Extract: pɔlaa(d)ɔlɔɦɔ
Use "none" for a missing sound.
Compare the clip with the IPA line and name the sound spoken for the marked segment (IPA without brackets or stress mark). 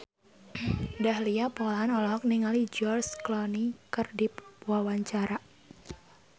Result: n